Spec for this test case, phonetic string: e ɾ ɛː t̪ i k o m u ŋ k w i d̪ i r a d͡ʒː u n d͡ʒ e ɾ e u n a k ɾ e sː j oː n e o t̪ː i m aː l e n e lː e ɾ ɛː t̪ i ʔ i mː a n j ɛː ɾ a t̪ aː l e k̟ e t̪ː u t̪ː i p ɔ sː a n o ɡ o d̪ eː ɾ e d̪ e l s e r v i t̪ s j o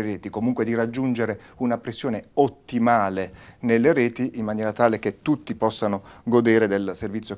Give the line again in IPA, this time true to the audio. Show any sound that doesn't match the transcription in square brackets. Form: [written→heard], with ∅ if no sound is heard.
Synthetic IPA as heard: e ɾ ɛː t̪ i k o m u ŋ k w [i→e] d̪ i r a d͡ʒː u n d͡ʒ e ɾ e u n a [k→p] ɾ e sː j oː n e o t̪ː i m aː l e n e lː e ɾ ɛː t̪ i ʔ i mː a n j ɛː ɾ a t̪ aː l e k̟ e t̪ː u t̪ː i p ɔ sː a n o ɡ o d̪ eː ɾ e d̪ e l s e r v i t̪ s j o